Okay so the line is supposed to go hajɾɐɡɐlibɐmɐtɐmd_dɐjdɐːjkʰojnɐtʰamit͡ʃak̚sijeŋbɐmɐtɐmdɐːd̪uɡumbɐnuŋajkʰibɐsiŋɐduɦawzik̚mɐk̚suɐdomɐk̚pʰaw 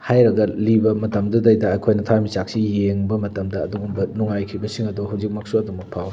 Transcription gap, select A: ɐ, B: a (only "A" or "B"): A